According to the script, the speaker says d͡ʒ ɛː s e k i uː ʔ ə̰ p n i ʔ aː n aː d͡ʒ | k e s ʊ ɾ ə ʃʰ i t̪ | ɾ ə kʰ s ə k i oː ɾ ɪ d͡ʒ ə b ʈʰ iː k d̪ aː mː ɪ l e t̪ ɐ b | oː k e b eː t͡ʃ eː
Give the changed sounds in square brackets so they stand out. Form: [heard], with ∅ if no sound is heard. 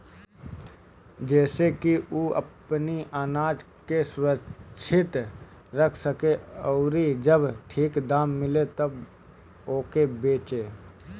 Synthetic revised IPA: d͡ʒ ɛː s e k i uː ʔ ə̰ p n i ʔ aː n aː d͡ʒ | k e s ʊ ɾ ə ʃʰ [ɪ] t̪ | ɾ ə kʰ s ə k [e] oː ɾ [i] d͡ʒ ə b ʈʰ iː k d̪ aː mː ɪ l e t̪ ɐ b | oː k e b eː t͡ʃ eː